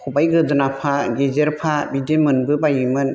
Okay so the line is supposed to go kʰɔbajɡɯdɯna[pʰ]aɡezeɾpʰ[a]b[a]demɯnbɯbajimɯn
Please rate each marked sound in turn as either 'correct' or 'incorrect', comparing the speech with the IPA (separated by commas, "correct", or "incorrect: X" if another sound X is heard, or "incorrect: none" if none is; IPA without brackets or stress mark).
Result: correct, correct, incorrect: i